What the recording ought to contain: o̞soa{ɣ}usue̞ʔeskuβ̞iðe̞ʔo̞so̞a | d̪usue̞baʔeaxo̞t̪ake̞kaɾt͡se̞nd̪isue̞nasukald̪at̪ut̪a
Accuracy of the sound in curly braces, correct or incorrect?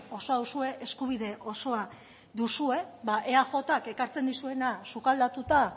incorrect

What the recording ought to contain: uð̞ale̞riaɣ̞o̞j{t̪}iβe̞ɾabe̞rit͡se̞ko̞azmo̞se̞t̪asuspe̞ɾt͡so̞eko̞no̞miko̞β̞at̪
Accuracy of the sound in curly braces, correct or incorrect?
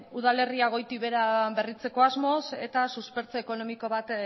correct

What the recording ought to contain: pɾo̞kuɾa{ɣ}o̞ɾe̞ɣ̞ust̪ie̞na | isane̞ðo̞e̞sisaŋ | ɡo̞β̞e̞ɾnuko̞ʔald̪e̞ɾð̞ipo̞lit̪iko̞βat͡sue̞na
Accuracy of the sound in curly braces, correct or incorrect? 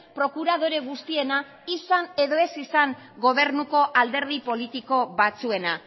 incorrect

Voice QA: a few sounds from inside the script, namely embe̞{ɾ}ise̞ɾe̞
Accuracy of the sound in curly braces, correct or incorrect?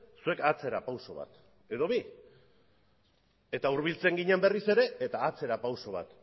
incorrect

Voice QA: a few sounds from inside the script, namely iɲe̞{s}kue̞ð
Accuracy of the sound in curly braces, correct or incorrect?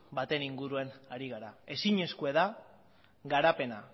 correct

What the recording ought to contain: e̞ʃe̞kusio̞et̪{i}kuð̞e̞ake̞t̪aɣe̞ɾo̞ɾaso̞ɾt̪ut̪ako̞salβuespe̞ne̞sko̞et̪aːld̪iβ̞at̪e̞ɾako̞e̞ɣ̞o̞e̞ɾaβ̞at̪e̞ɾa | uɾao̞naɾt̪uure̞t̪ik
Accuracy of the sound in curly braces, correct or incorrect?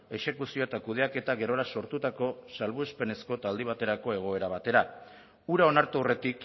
incorrect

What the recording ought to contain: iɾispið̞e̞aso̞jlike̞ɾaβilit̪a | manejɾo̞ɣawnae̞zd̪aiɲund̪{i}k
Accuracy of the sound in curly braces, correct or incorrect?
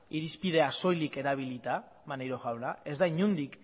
correct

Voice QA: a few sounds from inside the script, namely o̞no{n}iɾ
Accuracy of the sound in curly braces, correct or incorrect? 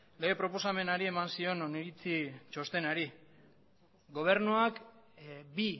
correct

